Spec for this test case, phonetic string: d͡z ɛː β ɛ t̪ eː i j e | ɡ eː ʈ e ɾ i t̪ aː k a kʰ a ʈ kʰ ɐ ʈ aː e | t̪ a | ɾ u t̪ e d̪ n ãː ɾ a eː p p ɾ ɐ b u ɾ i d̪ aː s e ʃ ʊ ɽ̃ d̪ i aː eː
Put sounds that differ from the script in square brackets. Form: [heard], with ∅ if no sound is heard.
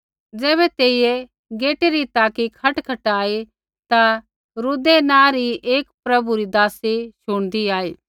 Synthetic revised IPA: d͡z ɛː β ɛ t̪ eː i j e | ɡ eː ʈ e ɾ i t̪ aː k [i] kʰ [ɐ] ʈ kʰ ɐ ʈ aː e | t̪ a | ɾ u [d̪] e [∅] n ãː ɾ [i] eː [k] p ɾ ɐ b u ɾ i d̪ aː s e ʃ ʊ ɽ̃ d̪ i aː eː